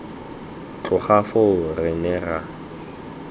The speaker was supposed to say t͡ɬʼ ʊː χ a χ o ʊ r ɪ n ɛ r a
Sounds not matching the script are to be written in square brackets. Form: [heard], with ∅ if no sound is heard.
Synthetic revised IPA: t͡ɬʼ [ʊ] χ a [f] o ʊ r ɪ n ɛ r a